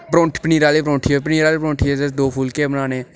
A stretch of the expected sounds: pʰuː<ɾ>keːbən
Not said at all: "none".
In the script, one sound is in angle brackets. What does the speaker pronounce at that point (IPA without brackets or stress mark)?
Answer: l